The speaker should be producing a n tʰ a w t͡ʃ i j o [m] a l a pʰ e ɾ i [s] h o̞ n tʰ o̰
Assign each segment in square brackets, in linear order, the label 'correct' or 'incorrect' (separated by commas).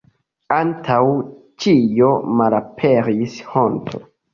correct, correct